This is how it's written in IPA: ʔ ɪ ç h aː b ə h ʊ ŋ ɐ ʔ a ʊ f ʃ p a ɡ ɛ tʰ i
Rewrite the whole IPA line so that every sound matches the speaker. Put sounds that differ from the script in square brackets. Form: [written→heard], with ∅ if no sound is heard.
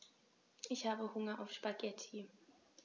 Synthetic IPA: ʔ ɪ ç h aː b ə h ʊ ŋ ɐ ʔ a ʊ f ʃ p a ɡ ɛ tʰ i

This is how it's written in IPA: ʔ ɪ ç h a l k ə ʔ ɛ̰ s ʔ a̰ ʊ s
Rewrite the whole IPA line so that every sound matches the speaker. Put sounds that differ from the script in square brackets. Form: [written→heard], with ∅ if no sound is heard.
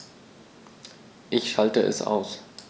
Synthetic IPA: ʔ ɪ ç [h→ʃ] a l [k→t] ə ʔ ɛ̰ s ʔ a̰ ʊ s

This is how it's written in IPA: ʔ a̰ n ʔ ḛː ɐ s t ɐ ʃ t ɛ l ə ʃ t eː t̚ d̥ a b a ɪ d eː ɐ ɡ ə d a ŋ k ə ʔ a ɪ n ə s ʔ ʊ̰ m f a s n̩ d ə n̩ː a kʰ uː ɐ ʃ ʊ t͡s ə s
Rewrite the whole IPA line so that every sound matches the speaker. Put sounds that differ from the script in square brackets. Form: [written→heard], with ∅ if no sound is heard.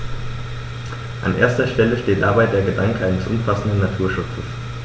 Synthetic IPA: ʔ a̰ n ʔ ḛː ɐ s t ɐ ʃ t ɛ l ə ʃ t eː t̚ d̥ a b a ɪ d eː ɐ ɡ ə d a ŋ k ə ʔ a ɪ n ə s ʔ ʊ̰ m f a s n̩ d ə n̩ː a [kʰ→tʰ] uː ɐ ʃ ʊ t͡s ə s

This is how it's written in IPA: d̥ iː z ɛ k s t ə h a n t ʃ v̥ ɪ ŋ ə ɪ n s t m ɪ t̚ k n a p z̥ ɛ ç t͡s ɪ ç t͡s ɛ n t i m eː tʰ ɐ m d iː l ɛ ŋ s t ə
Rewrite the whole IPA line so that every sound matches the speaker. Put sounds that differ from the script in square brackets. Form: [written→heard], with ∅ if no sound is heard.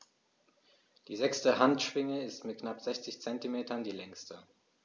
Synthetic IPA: d̥ iː z ɛ k s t ə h a n t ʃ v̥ ɪ ŋ ə ɪ [n→∅] s t m ɪ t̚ k n a p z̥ ɛ ç t͡s ɪ ç t͡s ɛ n t i m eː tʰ ɐ [m→n] d iː l ɛ ŋ s t ə

